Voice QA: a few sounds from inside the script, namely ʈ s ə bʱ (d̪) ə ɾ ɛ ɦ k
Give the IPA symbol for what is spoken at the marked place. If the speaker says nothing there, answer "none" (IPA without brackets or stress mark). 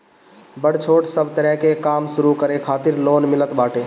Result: t̪